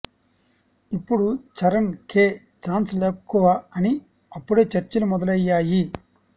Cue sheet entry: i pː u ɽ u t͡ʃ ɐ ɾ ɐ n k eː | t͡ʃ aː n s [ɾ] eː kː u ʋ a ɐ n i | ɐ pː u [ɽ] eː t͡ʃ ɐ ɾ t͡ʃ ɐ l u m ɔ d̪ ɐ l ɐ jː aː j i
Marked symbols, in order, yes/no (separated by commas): no, yes